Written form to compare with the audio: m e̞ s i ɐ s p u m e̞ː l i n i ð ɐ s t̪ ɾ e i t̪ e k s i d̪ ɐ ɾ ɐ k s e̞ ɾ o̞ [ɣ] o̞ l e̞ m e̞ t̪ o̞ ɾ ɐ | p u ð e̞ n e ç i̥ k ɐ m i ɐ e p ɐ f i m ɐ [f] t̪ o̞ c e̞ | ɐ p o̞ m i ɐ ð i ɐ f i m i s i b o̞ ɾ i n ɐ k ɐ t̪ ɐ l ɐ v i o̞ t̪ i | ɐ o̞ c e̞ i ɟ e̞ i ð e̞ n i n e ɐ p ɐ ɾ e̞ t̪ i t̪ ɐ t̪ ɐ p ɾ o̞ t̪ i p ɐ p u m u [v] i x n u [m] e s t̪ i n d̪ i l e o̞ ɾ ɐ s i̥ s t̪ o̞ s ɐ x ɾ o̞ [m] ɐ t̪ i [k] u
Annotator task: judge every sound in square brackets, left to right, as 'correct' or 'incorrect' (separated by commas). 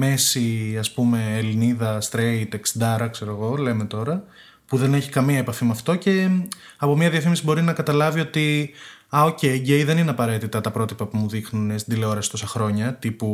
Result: correct, correct, incorrect, incorrect, incorrect, incorrect